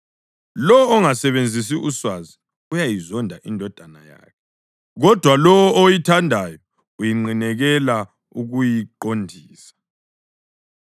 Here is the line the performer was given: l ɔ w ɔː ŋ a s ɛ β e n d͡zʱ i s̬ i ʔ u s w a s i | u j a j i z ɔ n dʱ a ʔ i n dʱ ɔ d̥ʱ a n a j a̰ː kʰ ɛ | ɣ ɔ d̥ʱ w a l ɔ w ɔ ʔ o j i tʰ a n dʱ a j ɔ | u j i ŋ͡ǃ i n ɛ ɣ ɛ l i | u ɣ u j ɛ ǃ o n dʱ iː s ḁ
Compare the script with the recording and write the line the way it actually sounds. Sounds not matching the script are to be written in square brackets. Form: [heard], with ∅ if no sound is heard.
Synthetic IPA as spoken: l ɔ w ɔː ŋ a s ɛ β e n d͡zʱ i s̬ i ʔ u s w a [z] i | u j a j i z ɔ n dʱ a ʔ i n dʱ ɔ d̥ʱ a n a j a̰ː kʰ ɛ | ɣ ɔ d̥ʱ w a l ɔ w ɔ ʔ o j i tʰ a n dʱ a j ɔ | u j i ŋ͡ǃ i n ɛ ɣ ɛ l [a] | u ɣ u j [i] ǃ o n dʱ iː s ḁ

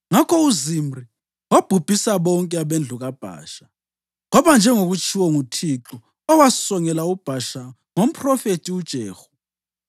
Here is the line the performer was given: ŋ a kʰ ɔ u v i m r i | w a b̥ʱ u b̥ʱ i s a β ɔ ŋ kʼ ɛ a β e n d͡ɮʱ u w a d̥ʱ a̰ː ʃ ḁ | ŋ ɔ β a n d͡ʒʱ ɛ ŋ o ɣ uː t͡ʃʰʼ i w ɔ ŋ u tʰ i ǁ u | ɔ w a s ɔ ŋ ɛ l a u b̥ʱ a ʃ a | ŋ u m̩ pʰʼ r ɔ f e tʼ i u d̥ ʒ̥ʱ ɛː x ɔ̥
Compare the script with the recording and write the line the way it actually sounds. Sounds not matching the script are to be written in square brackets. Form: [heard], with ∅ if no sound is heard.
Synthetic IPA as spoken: ŋ a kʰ ɔ u [z] i m r i | w a b̥ʱ u b̥ʱ i s a β ɔ ŋ kʼ ɛ a β e n d͡ɮʱ u [ɣ] a [b̥ʱ] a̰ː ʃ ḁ | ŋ ɔ β a n d͡ʒʱ ɛ ŋ o ɣ [u] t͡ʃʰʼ i w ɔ ŋ u tʰ i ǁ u | ɔ w a s ɔ ŋ ɛ l a u b̥ʱ a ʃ a | ŋ [o] m̩ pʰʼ r ɔ f e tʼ i u d̥ ʒ̥ʱ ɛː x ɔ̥

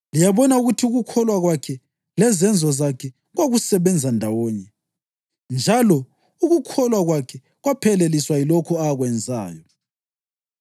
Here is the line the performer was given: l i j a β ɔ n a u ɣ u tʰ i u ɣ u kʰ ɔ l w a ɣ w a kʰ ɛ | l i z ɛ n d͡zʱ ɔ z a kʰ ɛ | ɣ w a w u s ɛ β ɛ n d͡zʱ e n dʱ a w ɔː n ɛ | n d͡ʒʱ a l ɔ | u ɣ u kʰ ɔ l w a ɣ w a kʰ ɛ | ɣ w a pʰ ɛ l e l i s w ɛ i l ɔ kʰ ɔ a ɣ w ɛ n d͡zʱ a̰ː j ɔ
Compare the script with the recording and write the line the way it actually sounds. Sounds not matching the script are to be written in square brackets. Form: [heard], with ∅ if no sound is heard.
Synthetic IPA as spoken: l i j a β ɔ n a u ɣ u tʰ i u ɣ u kʰ ɔ l w a ɣ w a kʰ ɛ | l [ɛ] z ɛ n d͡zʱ ɔ z a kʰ ɛ | ɣ w a [ɣ] u s ɛ β ɛ n d͡zʱ [a] n dʱ a w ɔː [ɲ] ɛ | n d͡ʒʱ a l ɔ | u ɣ u kʰ ɔ l w a ɣ w a kʰ ɛ | ɣ w a pʰ ɛ l e l i s w [a] i l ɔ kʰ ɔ a ɣ w ɛ n d͡zʱ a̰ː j ɔ

